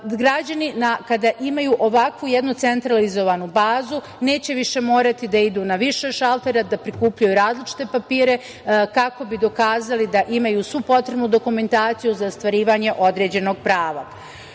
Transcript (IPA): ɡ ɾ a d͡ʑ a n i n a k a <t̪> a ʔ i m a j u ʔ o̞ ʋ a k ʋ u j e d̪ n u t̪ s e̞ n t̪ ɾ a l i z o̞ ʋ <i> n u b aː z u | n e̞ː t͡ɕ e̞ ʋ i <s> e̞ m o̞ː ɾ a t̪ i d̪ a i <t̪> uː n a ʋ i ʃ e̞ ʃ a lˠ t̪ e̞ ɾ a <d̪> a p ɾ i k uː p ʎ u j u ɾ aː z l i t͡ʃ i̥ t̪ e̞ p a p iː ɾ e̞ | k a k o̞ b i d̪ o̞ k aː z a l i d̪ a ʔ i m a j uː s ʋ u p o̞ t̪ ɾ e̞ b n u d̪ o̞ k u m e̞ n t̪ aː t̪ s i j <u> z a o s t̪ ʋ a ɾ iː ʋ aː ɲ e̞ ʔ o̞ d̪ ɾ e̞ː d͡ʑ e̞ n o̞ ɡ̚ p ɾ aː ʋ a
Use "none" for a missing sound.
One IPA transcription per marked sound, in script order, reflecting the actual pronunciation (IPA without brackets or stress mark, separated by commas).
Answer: d̪, a, ʃ, d̪, d̪, u